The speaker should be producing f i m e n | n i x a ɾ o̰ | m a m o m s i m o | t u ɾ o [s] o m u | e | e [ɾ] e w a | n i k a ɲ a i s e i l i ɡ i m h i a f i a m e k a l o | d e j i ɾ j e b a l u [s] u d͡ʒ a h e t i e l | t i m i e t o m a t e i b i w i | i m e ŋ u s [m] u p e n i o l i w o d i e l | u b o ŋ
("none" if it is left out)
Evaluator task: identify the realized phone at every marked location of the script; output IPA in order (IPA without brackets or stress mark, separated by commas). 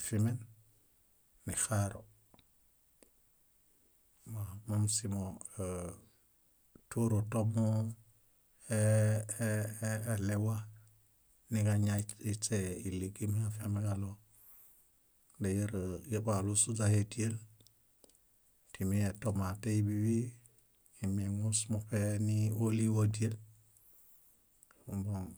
t, l, s, m